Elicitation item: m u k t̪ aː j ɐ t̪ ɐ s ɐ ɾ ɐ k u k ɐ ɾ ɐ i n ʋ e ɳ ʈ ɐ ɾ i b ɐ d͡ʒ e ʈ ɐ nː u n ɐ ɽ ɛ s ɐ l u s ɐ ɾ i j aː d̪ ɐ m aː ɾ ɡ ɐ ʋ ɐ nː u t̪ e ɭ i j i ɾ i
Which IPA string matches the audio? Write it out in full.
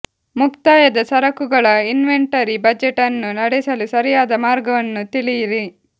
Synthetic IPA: m u k t̪ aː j ɐ d̪ ɐ s ɐ ɾ ɐ k u ɡ ɐ ɭ ɐ i n ʋ e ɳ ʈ ɐ ɾ i b ɐ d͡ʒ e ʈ ɐ nː u n ɐ ɽ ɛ s ɐ l u s ɐ ɾ i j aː d̪ ɐ m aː ɾ ɡ ɐ ʋ ɐ nː u t̪ i ɭ i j i ɾ i